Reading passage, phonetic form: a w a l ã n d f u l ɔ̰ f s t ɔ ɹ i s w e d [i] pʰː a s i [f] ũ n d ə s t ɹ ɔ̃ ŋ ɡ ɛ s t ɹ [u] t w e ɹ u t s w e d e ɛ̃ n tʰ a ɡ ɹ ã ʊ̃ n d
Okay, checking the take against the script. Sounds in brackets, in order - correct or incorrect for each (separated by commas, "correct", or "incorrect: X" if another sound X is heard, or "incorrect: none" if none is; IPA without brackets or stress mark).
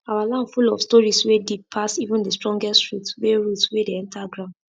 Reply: correct, incorrect: v, correct